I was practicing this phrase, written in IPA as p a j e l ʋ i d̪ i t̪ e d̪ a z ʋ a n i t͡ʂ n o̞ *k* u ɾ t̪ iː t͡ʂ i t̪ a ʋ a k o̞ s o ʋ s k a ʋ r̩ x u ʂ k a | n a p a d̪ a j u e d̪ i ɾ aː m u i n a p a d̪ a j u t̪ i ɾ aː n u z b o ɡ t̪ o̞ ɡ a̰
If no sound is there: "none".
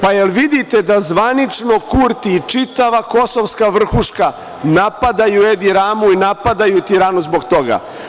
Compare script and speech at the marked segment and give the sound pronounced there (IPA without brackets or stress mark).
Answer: k